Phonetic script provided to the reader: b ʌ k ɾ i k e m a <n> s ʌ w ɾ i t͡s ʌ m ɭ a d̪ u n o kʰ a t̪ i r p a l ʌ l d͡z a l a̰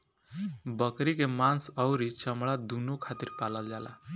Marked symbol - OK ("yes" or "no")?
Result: yes